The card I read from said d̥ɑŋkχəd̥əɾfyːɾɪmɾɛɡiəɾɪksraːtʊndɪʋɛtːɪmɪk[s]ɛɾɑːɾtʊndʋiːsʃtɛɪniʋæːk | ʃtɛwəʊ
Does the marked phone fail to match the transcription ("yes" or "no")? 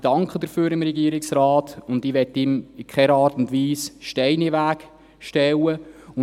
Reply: yes